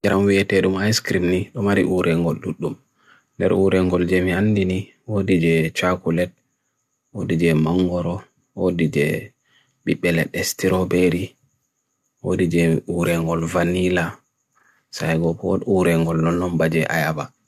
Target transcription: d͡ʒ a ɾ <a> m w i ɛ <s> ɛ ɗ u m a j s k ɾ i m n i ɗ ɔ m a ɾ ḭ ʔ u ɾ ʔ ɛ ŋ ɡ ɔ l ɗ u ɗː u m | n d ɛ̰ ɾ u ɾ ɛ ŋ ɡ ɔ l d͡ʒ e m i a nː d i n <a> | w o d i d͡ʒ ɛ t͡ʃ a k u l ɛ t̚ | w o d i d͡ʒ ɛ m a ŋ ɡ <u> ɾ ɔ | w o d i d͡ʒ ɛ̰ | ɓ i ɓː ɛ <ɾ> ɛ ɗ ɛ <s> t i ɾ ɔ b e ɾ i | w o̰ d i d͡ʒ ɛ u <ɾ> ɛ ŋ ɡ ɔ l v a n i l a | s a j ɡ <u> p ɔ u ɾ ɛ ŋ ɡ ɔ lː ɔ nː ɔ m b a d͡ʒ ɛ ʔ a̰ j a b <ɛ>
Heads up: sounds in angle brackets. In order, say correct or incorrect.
correct, incorrect, incorrect, incorrect, incorrect, correct, correct, incorrect, incorrect

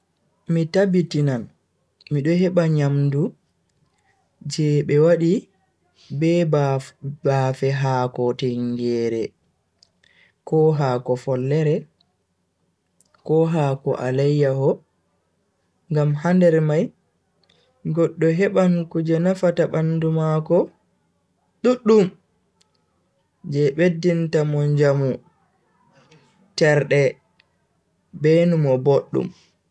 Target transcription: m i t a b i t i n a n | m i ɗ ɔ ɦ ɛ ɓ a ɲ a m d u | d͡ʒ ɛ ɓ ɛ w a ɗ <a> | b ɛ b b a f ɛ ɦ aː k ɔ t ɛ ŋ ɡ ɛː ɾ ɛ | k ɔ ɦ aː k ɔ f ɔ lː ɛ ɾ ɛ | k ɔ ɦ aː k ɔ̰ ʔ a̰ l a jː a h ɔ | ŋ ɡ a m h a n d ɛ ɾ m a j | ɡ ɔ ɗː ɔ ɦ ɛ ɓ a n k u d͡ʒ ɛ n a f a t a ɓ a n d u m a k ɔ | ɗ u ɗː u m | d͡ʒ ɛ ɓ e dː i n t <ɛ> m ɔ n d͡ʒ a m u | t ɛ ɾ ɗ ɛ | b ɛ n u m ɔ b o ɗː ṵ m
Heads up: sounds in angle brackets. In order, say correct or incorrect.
incorrect, incorrect

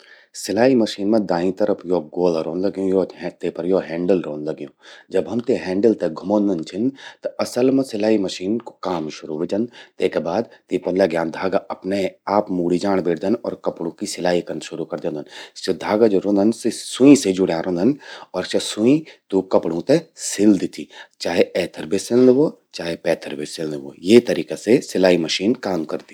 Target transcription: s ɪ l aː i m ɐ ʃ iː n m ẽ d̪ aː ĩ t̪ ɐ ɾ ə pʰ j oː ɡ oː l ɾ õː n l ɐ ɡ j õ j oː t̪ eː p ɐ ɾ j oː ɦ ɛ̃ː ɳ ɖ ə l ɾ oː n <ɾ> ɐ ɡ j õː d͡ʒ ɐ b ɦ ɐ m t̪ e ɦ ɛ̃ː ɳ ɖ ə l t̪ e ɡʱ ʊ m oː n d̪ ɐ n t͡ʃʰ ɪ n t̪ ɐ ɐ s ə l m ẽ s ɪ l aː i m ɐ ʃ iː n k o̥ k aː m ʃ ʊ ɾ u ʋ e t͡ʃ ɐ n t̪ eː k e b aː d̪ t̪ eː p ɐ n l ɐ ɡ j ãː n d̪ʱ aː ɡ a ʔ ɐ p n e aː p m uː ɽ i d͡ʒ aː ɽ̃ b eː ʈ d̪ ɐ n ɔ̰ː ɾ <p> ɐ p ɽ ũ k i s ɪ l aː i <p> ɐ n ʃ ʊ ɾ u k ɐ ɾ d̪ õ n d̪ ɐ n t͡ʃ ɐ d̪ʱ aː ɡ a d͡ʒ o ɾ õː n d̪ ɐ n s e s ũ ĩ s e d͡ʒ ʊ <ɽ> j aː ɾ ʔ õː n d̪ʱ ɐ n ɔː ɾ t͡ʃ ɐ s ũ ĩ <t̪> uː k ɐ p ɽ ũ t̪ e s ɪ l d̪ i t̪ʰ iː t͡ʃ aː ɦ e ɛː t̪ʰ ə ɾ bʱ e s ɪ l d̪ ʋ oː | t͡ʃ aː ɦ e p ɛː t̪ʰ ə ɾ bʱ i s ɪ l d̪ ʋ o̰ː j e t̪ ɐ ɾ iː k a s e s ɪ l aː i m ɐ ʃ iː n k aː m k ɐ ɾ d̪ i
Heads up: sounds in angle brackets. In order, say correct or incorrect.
incorrect, incorrect, incorrect, correct, correct

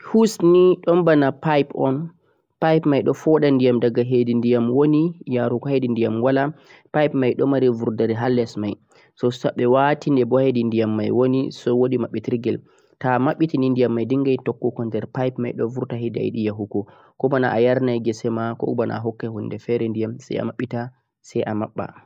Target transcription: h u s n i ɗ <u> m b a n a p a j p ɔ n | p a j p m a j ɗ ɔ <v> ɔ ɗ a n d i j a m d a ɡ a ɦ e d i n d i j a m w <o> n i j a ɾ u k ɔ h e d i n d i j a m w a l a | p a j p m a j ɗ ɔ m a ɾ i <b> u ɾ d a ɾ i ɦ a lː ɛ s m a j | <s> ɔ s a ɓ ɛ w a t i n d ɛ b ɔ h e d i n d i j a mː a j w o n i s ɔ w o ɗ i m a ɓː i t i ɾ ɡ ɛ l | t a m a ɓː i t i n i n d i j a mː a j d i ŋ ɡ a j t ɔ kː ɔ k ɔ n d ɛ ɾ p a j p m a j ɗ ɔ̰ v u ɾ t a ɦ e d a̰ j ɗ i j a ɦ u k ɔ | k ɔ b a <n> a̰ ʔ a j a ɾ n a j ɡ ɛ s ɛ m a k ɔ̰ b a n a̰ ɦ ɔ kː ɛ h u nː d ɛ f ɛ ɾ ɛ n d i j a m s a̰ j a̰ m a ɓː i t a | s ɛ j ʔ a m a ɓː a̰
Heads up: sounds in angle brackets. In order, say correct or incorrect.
incorrect, incorrect, correct, incorrect, correct, correct

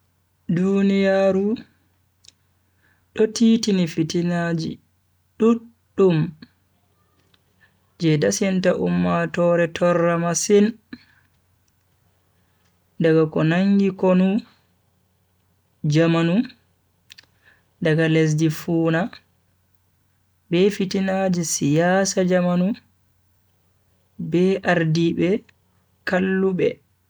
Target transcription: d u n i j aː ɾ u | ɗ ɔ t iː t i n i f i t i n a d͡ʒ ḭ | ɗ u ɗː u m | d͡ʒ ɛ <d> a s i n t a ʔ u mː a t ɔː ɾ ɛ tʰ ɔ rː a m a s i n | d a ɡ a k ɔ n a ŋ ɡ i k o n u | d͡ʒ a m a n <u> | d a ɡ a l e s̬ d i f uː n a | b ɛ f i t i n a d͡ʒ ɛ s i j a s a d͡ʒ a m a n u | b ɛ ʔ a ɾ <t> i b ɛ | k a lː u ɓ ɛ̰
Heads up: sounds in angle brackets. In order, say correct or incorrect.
correct, correct, incorrect

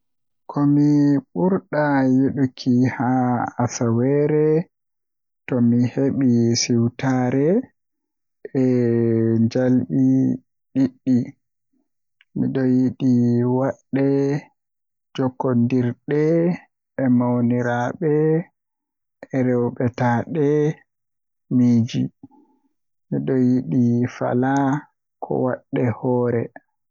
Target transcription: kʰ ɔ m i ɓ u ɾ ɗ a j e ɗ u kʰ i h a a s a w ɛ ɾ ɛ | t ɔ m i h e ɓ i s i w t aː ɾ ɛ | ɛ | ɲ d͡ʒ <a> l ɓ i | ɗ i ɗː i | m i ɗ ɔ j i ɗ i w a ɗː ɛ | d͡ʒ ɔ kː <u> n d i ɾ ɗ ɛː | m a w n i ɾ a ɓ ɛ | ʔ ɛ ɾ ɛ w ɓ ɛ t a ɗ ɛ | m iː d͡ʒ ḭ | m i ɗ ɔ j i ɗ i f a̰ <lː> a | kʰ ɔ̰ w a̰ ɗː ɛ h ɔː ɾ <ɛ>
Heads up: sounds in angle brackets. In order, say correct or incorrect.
correct, incorrect, incorrect, correct

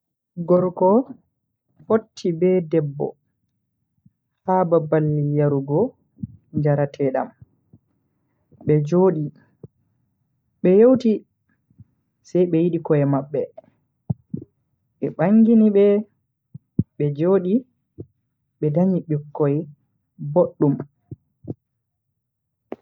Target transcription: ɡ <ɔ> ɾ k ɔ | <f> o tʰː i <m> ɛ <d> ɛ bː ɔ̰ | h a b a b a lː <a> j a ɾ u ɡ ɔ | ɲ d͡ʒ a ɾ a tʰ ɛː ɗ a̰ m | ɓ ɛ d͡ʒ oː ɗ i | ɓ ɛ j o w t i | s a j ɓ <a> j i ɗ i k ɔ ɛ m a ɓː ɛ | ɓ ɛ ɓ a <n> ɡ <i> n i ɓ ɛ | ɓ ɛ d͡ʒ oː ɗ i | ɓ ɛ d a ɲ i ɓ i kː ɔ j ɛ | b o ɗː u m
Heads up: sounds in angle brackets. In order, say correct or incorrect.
correct, correct, incorrect, correct, incorrect, incorrect, incorrect, correct

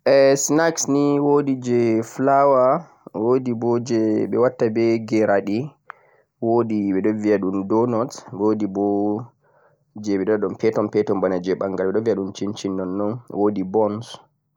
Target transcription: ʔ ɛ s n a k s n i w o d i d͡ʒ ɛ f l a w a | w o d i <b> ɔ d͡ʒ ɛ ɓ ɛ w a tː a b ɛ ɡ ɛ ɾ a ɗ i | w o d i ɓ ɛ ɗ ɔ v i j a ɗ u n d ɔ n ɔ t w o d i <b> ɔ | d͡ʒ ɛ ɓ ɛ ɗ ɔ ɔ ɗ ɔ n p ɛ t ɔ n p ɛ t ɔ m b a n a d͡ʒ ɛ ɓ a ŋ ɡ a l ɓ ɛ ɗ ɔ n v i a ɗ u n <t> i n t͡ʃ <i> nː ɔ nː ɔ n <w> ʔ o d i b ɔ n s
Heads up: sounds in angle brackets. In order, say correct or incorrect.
correct, correct, incorrect, correct, correct

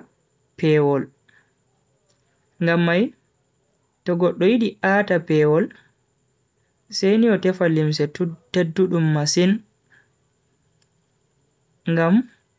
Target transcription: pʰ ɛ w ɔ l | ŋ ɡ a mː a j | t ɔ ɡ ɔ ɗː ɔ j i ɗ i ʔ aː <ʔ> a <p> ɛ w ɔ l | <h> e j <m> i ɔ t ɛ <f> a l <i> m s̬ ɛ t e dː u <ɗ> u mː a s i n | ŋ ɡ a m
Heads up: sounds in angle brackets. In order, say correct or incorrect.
incorrect, correct, incorrect, incorrect, correct, correct, correct

